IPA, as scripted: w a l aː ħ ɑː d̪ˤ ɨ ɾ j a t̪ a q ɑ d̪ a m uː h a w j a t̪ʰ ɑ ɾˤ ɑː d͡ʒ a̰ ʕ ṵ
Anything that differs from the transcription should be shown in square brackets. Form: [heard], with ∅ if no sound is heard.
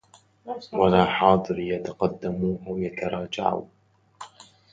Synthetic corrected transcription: w a l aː ħ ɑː d̪ˤ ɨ ɾ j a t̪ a q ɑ [d̪ː] a m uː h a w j a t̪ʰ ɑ ɾˤ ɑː d͡ʒ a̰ ʕ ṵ